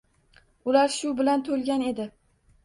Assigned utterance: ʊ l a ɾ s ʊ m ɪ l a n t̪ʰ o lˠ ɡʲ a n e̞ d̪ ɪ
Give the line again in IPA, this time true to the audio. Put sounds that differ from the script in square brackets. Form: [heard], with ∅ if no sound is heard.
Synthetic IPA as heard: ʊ l a ɾ [ʃ] ʊ [b] ɪ l a n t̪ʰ o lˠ ɡʲ a n e̞ d̪ ɪ